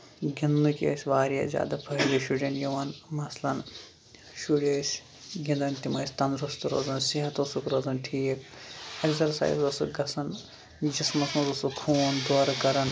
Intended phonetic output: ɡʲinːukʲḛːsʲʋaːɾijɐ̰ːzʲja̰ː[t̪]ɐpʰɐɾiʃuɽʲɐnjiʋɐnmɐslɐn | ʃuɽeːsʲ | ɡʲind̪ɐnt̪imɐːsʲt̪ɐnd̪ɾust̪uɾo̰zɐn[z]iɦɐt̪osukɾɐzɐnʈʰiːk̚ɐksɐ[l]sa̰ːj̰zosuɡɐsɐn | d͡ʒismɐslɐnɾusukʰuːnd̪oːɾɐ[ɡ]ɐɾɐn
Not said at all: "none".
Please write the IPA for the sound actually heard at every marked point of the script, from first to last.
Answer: d̪, s, ɾ, k

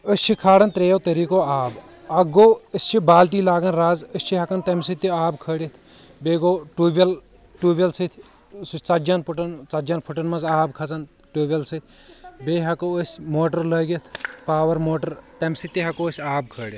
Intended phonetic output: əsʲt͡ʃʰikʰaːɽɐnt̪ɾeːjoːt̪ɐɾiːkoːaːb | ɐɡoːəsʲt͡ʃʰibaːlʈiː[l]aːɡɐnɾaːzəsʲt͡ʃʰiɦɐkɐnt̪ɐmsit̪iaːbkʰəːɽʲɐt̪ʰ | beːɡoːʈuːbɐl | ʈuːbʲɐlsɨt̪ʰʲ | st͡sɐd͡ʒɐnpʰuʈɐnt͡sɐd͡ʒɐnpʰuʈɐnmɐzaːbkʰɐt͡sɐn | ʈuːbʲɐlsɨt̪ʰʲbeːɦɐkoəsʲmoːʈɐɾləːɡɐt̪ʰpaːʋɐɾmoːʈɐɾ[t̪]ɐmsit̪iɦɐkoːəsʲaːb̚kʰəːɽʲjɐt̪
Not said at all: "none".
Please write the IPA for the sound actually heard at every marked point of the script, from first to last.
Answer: l, t̪

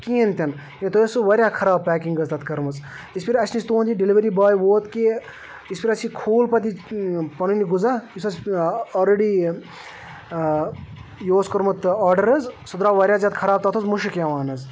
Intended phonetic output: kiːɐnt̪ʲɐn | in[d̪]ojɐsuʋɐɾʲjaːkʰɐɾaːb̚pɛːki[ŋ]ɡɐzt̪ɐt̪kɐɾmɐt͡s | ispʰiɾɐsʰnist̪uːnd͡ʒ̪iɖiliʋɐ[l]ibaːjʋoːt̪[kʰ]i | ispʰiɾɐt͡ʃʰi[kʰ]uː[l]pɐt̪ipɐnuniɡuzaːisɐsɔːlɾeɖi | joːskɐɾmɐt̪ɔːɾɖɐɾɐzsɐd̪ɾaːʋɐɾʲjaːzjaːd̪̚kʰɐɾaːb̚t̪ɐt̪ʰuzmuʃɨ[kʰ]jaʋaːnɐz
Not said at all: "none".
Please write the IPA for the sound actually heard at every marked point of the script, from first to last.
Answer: t̪, ŋ, ɾ, k, kʰ, l, k

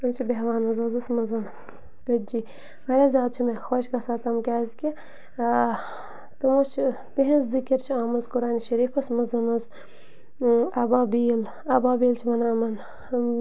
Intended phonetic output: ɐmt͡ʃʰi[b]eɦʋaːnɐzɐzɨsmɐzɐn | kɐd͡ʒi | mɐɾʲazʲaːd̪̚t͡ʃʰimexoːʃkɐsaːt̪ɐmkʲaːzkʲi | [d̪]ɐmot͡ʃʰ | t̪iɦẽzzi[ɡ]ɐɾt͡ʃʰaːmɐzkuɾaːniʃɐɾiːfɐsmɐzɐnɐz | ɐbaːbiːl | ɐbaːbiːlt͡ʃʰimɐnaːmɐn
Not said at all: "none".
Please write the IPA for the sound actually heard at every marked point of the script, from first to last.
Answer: b, t̪, k

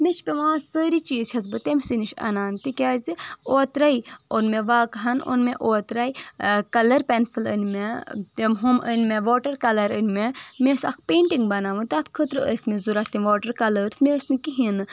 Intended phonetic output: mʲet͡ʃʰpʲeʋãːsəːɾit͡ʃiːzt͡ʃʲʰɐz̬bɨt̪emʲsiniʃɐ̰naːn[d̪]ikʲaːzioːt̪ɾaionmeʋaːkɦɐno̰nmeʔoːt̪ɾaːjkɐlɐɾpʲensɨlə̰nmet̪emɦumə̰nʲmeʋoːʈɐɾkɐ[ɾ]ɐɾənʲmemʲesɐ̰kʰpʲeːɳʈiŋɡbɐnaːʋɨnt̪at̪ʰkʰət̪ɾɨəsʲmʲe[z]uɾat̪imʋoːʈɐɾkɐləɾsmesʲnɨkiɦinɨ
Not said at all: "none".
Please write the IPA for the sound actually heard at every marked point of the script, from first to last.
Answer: t̪, l, z

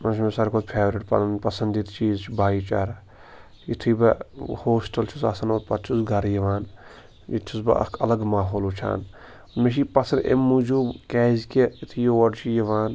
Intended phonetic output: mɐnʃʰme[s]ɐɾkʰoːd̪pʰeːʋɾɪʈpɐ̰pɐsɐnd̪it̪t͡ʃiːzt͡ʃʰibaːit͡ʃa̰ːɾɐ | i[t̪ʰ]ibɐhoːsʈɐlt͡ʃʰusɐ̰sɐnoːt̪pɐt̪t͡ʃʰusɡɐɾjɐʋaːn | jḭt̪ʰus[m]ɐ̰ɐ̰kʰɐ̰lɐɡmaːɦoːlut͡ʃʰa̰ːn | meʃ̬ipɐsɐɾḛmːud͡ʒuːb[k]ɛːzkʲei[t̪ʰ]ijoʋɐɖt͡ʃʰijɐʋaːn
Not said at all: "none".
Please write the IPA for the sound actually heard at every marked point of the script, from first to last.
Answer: s, t̪ʰ, b, k, t̪ʰ

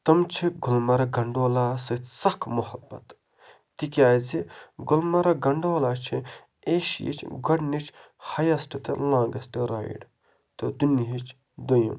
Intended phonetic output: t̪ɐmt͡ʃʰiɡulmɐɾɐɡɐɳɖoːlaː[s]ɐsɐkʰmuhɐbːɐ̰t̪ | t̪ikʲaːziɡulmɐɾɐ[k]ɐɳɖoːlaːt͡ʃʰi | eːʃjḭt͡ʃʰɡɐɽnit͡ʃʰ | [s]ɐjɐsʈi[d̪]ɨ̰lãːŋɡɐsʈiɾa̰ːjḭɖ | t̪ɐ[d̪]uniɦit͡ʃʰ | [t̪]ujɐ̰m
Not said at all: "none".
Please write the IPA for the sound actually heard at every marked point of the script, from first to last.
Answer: s, ɡ, h, t̪, d̪, d̪

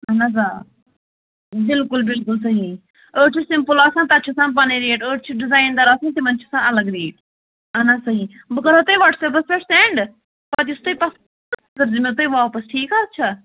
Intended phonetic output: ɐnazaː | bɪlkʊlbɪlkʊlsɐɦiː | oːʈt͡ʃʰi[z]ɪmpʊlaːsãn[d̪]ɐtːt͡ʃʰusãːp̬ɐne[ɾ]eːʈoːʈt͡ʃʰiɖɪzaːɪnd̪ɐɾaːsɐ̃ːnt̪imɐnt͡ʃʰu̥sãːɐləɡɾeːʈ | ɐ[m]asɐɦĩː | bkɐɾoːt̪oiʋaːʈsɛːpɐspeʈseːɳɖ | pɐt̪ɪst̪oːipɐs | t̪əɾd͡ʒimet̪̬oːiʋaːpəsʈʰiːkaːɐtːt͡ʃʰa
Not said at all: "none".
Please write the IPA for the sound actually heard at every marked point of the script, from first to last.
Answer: s, t̪, ɾ, n

